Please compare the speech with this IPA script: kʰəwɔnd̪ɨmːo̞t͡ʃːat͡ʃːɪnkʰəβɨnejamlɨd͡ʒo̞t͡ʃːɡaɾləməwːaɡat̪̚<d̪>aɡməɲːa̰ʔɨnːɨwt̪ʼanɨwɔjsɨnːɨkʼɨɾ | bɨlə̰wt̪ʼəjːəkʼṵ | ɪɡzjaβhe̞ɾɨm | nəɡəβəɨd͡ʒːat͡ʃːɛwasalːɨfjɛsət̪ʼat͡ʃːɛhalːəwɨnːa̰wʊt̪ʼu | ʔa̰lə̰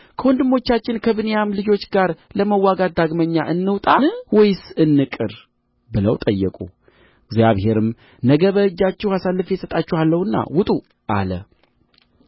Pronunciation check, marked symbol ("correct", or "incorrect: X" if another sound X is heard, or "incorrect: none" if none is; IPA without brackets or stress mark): correct